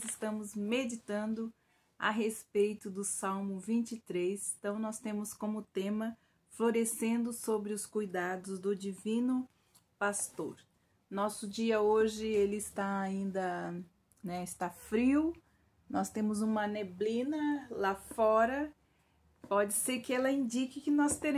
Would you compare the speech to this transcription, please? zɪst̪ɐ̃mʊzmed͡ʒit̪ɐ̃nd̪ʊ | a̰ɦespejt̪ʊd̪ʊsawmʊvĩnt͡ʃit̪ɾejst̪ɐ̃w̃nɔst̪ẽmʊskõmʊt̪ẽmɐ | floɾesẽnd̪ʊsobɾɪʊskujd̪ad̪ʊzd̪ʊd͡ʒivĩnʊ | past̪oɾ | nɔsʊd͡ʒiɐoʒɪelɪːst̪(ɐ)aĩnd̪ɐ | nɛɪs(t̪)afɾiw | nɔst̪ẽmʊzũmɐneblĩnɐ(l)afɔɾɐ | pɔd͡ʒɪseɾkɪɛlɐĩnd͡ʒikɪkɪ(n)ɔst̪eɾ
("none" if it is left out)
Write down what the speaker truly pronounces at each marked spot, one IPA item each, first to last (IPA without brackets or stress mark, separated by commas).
a, t̪, l, n